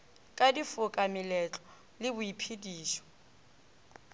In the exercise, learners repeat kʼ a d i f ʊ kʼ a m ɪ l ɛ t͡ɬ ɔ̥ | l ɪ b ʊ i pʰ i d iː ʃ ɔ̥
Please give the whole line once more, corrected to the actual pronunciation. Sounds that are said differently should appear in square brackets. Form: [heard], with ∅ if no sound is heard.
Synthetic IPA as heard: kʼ a d i f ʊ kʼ a m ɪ l ɛ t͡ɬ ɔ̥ | l ɪ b ʊ i pʰ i d iː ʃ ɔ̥